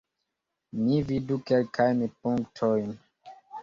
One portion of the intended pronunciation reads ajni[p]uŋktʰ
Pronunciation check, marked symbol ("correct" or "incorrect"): correct